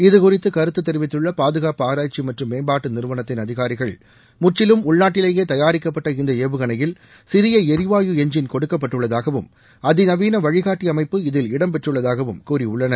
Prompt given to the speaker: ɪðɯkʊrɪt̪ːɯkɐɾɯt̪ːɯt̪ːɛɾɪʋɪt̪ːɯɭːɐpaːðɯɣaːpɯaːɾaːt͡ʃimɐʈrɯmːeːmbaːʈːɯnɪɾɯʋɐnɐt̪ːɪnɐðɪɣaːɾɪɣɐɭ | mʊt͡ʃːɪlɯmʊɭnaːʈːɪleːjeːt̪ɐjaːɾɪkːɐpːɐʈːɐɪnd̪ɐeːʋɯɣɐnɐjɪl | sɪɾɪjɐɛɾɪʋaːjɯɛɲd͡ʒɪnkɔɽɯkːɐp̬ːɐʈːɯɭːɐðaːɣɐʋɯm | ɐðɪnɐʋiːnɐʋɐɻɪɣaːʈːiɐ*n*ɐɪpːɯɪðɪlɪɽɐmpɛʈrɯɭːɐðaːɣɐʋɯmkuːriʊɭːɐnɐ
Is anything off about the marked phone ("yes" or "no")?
yes